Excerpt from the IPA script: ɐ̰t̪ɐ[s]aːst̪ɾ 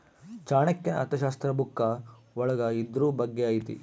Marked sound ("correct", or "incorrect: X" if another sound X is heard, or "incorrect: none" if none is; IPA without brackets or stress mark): incorrect: ʃ